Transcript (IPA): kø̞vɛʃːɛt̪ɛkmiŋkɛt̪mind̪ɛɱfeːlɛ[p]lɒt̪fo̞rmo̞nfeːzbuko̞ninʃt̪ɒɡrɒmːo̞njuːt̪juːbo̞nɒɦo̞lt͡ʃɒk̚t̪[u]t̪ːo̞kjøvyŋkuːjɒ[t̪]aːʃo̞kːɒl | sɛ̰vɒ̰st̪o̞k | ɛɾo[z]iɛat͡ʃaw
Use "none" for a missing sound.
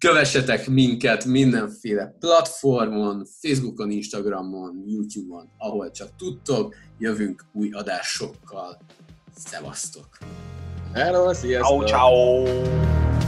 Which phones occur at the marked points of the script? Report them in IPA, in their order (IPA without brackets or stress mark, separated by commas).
p, u, d̪, s